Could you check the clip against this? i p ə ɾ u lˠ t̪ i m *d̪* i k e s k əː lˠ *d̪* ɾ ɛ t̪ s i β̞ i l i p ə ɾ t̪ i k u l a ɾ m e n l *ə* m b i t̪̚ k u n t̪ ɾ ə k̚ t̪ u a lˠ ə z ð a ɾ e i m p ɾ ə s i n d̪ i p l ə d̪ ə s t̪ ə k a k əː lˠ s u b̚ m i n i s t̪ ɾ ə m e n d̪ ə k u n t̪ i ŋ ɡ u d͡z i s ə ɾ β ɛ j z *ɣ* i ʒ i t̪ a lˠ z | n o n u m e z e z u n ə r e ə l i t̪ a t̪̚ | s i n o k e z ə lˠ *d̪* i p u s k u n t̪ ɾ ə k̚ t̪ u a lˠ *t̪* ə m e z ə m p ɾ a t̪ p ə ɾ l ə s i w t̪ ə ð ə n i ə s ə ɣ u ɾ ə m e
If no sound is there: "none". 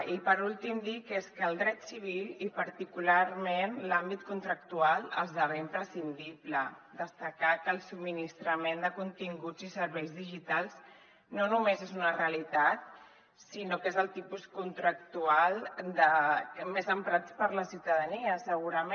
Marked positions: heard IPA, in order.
d̪, d̪, a, ð, t̪, d̪

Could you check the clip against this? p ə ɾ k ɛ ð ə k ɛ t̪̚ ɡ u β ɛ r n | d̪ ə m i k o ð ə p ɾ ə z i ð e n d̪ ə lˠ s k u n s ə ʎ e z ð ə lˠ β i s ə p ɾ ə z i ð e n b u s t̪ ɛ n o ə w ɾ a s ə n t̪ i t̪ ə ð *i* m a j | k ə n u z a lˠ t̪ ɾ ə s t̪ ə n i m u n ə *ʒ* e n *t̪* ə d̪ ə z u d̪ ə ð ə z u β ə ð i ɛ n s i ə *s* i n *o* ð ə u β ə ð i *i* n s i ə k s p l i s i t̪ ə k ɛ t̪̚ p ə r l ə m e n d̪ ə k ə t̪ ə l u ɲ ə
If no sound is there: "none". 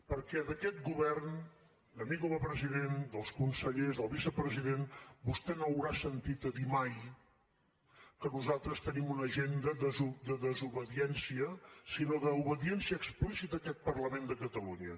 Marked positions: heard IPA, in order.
i, ʒ, d̪, s, o, ɛ

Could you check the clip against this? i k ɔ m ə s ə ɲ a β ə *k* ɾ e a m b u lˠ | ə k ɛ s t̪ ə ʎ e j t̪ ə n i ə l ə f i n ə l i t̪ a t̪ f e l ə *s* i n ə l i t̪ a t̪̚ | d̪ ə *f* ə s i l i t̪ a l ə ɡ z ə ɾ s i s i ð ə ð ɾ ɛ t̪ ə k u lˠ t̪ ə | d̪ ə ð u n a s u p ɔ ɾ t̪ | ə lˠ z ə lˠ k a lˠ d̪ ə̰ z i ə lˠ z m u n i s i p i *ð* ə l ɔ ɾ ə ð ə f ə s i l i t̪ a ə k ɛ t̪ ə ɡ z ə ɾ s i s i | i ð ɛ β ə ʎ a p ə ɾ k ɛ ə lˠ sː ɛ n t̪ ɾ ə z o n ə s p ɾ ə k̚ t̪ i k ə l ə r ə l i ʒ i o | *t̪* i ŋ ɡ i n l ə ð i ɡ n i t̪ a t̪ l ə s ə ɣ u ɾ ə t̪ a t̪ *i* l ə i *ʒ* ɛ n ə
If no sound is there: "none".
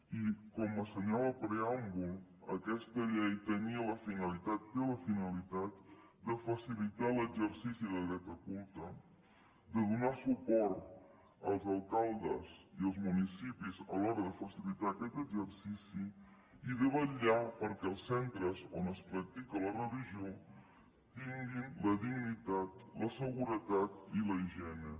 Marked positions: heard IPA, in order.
p, f, f, z, t̪, i, ʒ

